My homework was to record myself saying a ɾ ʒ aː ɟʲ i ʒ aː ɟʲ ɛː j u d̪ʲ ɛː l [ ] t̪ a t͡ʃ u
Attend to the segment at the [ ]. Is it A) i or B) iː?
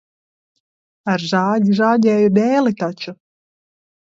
A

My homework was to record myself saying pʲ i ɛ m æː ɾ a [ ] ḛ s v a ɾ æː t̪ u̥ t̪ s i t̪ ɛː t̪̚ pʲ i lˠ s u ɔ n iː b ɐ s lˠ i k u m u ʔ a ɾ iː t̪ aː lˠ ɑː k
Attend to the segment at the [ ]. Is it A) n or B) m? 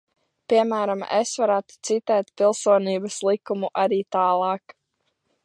B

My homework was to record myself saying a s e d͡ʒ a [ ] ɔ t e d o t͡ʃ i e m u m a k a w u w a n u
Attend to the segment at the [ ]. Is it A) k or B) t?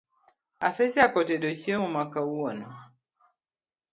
A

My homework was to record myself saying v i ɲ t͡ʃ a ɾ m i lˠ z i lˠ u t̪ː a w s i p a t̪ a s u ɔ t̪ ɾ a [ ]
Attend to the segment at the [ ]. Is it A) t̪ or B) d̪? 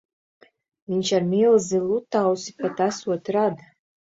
B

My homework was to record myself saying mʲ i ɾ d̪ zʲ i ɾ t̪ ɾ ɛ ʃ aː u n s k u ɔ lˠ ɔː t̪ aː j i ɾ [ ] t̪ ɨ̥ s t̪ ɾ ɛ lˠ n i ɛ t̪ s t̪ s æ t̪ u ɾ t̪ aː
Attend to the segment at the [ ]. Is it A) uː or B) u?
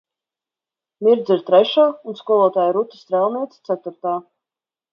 B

